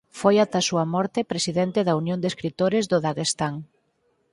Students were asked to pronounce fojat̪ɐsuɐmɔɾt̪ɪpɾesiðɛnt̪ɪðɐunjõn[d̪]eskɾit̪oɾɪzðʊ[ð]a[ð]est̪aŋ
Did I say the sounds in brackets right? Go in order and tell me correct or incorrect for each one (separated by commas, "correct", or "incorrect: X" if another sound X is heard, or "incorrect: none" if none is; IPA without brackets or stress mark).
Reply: correct, correct, incorrect: ɣ